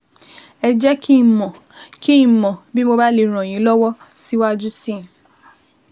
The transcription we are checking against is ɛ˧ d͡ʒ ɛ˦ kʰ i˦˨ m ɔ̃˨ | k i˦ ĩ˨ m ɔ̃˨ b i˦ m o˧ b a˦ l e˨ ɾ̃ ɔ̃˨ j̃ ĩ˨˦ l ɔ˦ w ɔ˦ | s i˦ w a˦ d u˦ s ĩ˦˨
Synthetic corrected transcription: ɛ˧ d͡ʒ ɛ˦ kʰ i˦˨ m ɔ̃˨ | k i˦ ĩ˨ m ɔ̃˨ b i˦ m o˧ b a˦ l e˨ ɾ̃ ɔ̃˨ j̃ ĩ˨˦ l ɔ˦ w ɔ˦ | s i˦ w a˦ d͡ʒ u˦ s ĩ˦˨